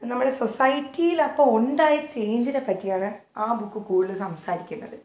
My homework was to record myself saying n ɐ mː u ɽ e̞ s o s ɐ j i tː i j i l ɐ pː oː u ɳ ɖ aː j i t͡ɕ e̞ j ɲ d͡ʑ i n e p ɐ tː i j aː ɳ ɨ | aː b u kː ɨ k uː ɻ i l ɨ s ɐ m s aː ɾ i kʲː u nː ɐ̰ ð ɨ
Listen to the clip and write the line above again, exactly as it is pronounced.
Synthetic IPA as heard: n ɐ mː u ɽ e̞ s o s ɐ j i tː i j i l ɐ pː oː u ɳ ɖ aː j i t͡ɕ e̞ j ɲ d͡ʑ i n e p ɐ tː i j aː ɳ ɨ | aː b u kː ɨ k uː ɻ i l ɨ s ɐ m s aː ɾ i kʲː u nː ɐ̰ ð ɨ

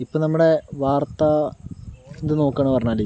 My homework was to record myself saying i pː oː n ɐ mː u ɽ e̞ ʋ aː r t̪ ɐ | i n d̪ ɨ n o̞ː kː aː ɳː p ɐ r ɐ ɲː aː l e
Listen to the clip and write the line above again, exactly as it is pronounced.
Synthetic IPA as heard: i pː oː n ɐ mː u ɽ e̞ ʋ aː r t̪ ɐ | e n d̪ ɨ n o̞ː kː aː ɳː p ɐ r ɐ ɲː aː l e

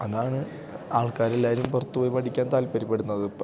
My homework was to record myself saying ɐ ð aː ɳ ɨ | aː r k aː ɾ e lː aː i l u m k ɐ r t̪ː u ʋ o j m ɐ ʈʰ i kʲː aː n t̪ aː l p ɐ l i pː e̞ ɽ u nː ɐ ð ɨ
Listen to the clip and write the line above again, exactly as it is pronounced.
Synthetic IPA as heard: ɐ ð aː ɳ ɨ | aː ɭ k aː ɾ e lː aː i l u m p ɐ r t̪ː u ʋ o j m ɐ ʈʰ i kʲː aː n t̪ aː l p ɐ ɾ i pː e̞ ɽ u nː ɐ ð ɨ

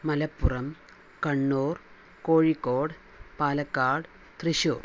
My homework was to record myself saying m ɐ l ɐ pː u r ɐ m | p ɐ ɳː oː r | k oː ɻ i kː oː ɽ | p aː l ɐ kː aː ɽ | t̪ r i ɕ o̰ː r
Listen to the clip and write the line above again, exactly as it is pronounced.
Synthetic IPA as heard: m ɐ l ɐ pː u r ɐ m | k ɐ ɳː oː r | k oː ɻ i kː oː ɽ | p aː l ɐ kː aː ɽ | t̪ r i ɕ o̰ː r

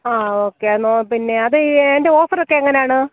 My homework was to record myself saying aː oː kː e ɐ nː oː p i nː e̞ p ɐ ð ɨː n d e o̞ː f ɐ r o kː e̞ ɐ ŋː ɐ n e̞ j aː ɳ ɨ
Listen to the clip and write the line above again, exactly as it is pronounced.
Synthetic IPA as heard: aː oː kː e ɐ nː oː p i nː e̞ ɐ ð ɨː n d e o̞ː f ɐ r o kː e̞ ɐ ŋː ɐ n e̞ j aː ɳ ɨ

